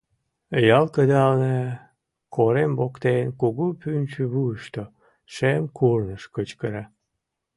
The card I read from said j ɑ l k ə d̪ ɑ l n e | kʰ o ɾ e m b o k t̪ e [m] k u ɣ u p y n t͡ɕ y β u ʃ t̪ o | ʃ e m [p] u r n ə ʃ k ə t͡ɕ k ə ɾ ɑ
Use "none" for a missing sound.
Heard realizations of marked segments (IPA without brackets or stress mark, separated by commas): n, k